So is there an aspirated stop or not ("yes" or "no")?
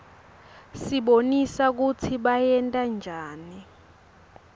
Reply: yes